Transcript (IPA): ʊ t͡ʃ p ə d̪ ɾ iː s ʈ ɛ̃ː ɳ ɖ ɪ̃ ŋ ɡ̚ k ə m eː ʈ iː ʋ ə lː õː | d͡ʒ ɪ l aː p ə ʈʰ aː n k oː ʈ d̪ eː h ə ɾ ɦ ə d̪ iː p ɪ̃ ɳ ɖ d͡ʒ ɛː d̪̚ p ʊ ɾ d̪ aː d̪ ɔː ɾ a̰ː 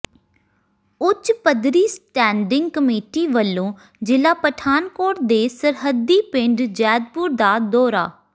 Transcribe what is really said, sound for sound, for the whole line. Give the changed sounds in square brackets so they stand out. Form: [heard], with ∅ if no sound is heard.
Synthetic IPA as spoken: ʊ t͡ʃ p ə d̪ ɾ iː s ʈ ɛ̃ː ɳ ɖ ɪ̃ ŋ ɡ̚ k ə m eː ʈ iː ʋ ə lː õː | d͡ʒ ɪ l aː p ə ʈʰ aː n k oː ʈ d̪ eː [s] ə ɾ ɦ ə d̪ iː p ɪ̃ ɳ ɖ d͡ʒ ɛː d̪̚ p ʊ ɾ d̪ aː d̪ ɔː ɾ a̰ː